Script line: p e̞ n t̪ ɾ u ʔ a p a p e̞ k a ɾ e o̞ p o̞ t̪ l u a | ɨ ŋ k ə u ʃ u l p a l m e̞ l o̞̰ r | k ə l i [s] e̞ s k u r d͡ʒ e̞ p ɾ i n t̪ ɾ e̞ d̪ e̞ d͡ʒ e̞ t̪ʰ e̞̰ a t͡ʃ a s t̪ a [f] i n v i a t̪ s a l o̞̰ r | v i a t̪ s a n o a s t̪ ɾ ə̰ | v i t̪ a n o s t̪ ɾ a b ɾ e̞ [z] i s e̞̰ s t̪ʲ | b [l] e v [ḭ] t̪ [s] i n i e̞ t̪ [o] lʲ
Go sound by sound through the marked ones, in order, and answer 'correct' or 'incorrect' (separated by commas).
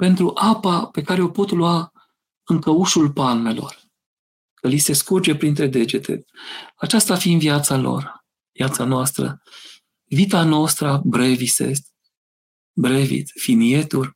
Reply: correct, correct, incorrect, incorrect, correct, incorrect, incorrect